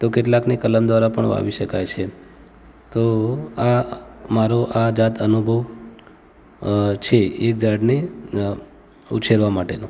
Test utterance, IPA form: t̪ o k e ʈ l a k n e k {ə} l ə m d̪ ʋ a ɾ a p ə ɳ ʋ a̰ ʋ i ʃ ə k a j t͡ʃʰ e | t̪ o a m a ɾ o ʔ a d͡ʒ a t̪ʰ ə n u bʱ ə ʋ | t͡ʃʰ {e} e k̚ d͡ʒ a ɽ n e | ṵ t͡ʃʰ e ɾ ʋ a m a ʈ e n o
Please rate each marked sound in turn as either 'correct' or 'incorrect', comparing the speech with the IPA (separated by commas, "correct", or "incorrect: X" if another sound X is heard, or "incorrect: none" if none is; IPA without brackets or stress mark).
correct, correct